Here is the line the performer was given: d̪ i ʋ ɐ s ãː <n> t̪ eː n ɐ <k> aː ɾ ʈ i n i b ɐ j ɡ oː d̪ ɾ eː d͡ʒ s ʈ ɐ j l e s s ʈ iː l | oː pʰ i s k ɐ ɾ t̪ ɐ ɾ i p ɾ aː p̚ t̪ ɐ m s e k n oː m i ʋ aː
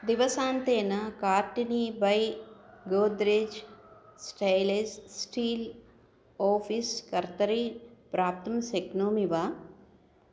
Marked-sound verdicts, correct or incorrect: correct, correct

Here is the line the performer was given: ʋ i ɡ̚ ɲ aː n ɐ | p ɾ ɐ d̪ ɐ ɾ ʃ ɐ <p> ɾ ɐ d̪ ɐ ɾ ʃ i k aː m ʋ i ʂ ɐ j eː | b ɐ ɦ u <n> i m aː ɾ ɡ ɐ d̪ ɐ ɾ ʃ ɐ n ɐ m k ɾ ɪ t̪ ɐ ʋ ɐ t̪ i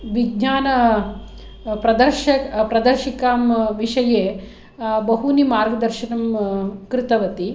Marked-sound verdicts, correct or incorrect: correct, correct

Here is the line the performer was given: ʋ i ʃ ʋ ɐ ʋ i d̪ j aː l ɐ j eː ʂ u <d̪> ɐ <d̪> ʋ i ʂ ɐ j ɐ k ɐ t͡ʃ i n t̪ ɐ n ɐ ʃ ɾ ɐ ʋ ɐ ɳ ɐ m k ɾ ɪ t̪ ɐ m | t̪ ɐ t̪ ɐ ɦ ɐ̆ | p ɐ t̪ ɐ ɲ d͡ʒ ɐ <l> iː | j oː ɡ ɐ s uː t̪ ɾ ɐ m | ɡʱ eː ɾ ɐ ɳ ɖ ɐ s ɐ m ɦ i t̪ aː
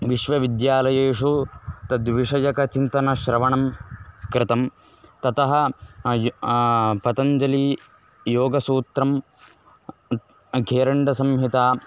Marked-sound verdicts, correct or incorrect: incorrect: t̪, correct, correct

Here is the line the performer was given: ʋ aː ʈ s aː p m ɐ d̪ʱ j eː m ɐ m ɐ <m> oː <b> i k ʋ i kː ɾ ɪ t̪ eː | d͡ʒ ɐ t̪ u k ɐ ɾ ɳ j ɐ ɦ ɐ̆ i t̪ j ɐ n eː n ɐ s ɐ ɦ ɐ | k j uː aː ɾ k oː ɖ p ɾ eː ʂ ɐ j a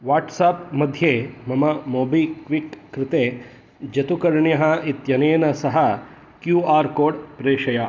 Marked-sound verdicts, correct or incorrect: correct, correct

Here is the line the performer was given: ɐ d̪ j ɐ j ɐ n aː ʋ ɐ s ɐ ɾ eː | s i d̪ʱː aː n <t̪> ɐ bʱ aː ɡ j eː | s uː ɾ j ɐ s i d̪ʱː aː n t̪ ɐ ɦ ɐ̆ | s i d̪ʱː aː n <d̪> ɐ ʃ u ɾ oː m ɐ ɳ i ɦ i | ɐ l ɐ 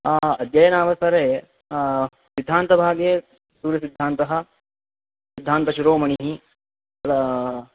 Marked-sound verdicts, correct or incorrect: correct, incorrect: t̪

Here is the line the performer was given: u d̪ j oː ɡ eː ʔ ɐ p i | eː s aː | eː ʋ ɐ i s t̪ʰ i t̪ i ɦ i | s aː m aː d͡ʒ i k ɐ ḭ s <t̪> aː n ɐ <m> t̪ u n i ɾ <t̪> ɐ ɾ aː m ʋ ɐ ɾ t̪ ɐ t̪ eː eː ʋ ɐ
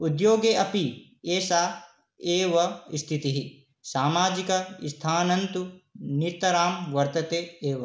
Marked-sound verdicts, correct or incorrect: incorrect: t̪ʰ, incorrect: n, correct

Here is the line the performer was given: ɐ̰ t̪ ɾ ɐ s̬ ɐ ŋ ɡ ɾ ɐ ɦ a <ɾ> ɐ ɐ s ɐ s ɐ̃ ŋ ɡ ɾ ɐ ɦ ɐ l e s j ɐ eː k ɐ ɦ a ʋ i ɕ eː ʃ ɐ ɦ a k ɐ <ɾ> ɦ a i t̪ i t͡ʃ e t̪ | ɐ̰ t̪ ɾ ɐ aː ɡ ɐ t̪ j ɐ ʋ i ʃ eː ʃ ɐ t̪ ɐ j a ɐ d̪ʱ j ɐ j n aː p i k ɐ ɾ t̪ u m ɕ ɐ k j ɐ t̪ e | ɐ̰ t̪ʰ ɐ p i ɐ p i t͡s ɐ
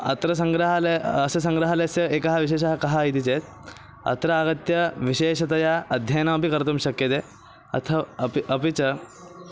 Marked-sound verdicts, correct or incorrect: incorrect: l, incorrect: none

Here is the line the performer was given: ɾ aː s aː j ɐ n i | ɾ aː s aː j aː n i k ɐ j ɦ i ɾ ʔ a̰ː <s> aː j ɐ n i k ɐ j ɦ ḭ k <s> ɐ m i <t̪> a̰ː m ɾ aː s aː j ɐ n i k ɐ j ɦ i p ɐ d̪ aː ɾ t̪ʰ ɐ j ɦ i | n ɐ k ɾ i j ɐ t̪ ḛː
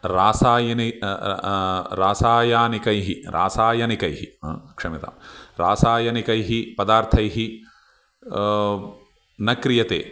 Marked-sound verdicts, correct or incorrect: correct, incorrect: ʂ, correct

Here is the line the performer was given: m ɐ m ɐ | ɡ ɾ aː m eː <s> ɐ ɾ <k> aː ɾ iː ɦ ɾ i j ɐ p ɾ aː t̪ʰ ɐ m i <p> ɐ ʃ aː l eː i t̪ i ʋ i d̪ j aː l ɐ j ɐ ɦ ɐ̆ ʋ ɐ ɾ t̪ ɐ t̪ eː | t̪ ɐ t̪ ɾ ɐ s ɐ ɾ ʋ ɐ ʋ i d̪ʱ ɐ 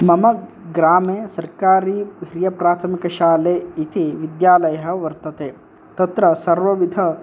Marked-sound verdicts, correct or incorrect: correct, correct, incorrect: k

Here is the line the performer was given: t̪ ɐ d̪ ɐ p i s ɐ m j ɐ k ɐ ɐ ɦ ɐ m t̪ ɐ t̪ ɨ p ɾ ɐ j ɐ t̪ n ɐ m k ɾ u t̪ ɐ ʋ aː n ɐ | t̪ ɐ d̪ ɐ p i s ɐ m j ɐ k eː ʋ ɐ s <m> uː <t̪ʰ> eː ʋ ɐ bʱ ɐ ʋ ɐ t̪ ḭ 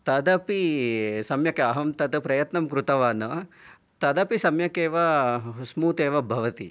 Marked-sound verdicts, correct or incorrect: correct, incorrect: t̪

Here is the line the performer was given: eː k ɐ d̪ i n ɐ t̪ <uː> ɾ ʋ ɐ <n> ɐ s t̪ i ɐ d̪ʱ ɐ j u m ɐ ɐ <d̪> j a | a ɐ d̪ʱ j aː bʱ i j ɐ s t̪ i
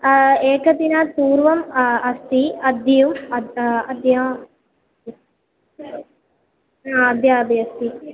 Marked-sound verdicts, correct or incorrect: correct, incorrect: m, correct

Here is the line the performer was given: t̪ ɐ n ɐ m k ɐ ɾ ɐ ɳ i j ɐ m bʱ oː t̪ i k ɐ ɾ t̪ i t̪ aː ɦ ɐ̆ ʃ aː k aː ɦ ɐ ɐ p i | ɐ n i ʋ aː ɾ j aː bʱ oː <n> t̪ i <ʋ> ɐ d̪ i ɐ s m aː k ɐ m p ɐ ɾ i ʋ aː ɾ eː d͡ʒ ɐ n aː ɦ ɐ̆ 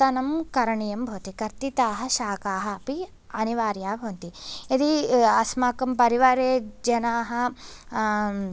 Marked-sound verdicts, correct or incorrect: correct, incorrect: none

